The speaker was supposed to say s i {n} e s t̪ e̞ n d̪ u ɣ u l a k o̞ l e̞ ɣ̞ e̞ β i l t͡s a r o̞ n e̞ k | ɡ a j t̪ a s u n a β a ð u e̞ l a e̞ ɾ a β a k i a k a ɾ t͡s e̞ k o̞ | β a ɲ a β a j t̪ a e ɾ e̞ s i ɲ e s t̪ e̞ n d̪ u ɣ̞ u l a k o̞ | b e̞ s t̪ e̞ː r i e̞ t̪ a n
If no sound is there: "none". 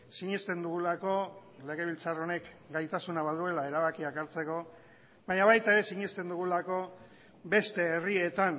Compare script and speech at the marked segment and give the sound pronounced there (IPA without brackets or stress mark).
ɲ